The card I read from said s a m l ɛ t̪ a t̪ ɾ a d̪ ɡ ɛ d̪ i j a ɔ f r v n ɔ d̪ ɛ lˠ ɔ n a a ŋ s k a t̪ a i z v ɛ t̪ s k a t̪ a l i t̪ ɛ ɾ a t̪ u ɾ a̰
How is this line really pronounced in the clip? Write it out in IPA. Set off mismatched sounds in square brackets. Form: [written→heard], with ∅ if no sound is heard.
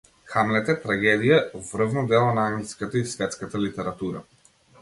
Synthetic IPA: [s→x] a m l ɛ t̪ [a→ɛ] t̪ ɾ a [d̪→∅] ɡ ɛ d̪ i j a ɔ [f→v] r v n ɔ d̪ ɛ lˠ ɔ n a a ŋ s k a t̪ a i [z→s] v ɛ t̪ s k a t̪ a l i t̪ ɛ ɾ a t̪ u ɾ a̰